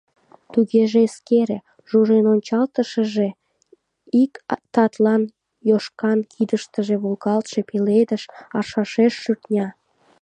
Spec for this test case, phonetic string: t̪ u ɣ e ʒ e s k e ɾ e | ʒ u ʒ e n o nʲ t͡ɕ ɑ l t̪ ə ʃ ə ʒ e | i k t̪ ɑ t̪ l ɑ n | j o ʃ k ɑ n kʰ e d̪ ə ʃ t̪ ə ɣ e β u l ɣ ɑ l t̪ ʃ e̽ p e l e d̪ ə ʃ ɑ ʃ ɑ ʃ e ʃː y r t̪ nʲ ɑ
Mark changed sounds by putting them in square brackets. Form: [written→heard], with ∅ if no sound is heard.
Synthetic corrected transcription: t̪ u ɣ e ʒ e s k e ɾ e | ʒ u ʒ e n o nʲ t͡ɕ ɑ l t̪ ə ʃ ə ʒ e | i k t̪ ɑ t̪ l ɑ n | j o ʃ k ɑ n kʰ [e→i] d̪ ə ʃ t̪ ə [ɣ→ʒ] e β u l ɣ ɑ l t̪ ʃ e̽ p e l e d̪ ə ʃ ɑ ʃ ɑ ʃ e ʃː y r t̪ nʲ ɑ